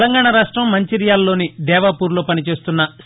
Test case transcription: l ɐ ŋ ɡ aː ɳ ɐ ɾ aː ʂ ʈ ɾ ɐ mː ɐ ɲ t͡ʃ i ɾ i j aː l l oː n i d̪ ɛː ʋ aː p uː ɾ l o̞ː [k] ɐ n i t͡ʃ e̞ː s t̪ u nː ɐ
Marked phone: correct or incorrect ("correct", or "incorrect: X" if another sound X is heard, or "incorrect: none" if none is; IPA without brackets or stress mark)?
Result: incorrect: p